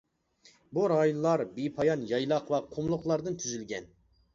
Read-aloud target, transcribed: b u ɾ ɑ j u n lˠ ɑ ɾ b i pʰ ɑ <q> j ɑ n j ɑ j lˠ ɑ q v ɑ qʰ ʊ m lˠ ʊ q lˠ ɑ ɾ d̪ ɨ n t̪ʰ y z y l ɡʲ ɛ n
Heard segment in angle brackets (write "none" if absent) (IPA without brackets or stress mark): none